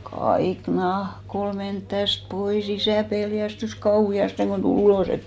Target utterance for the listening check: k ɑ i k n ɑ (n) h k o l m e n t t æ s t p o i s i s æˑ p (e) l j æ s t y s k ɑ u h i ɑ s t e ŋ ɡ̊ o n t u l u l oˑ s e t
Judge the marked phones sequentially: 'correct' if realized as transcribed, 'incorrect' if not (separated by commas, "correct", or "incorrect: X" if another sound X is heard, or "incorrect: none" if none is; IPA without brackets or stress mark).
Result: incorrect: none, correct